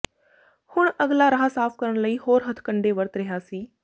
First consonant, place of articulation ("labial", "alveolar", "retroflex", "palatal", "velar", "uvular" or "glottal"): glottal